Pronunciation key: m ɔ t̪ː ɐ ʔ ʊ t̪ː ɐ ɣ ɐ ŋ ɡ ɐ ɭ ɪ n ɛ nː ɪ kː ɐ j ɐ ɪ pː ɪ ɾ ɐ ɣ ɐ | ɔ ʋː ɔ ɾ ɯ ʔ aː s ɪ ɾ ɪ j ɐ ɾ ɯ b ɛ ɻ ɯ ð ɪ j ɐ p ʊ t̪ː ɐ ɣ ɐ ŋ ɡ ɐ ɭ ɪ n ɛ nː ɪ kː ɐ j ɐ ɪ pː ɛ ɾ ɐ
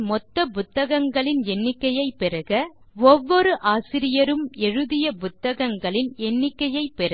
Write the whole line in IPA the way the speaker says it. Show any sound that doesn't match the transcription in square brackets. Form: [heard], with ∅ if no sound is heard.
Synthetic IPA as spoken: m ɔ t̪ː ɐ [p] ʊ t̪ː ɐ ɣ ɐ ŋ ɡ ɐ ɭ ɪ n ɛ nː ɪ kː ɐ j ɐ ɪ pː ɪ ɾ ɐ ɣ ɐ | ɔ ʋː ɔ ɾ ɯ ʔ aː s ɪ ɾ ɪ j ɐ ɾ ɯ [m] ɛ ɻ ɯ ð ɪ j ɐ p ʊ t̪ː ɐ ɣ ɐ ŋ ɡ ɐ ɭ ɪ n ɛ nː ɪ kː ɐ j ɐ ɪ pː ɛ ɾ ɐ